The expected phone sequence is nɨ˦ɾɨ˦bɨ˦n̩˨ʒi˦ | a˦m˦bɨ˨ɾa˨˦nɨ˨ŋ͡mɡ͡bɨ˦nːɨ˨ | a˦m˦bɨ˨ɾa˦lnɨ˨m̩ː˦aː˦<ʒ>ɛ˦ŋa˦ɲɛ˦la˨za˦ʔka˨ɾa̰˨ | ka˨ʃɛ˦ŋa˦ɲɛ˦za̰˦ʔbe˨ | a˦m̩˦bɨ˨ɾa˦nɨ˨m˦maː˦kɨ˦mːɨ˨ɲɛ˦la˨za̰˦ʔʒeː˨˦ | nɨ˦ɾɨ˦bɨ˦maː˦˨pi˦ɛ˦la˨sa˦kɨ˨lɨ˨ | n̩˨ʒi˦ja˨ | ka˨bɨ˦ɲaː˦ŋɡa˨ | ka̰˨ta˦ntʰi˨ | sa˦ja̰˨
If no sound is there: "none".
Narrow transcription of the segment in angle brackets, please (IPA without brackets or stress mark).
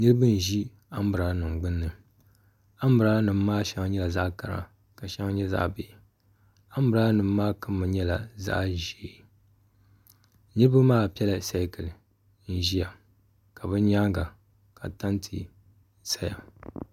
ʃ